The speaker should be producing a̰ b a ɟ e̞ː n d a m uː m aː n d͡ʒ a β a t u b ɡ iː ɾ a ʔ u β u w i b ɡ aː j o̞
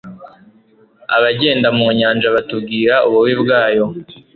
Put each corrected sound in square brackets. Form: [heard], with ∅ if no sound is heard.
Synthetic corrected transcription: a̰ [β] a ɟ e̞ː n d a m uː [ɲ] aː n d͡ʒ a β a t u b ɡ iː ɾ a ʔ u β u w i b ɡ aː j o̞